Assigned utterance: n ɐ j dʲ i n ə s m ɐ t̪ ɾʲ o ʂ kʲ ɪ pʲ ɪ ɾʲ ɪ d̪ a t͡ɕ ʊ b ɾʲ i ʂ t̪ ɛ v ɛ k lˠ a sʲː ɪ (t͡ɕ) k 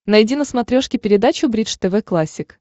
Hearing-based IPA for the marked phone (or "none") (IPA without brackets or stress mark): none